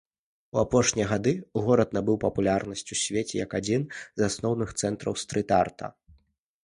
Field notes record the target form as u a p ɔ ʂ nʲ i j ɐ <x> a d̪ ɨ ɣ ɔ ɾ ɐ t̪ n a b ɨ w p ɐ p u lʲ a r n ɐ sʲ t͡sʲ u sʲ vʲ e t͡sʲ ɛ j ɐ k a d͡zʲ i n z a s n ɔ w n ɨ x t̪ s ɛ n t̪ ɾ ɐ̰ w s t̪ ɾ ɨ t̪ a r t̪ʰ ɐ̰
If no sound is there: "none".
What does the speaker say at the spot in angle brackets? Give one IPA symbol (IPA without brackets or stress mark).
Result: ɣ